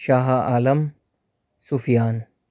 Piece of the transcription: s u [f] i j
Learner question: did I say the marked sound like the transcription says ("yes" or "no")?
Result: yes